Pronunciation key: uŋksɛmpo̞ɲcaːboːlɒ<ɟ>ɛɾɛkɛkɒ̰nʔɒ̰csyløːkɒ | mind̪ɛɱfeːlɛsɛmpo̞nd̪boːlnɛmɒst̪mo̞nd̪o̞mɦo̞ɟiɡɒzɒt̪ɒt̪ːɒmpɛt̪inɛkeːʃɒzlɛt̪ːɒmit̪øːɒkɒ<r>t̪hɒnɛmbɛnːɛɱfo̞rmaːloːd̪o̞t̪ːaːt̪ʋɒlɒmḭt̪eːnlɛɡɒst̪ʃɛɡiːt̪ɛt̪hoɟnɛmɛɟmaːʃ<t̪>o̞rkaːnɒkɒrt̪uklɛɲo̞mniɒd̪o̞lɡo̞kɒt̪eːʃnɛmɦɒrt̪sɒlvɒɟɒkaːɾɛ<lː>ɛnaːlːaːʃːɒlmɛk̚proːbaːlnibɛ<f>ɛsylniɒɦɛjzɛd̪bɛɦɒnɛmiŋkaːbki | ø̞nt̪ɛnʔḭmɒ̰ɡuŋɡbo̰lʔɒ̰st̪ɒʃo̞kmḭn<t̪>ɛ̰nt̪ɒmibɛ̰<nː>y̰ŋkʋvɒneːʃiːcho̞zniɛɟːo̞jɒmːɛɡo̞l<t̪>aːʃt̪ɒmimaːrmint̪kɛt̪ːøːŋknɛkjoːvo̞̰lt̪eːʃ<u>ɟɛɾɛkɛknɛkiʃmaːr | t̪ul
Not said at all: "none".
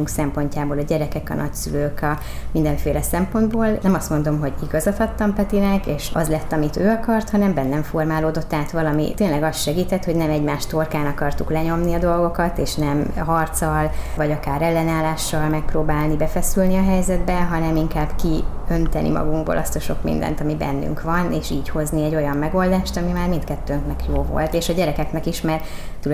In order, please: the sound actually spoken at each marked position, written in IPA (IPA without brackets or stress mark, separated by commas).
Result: ɟ, r, t̪, lː, f, d̪, nː, d̪, ɒ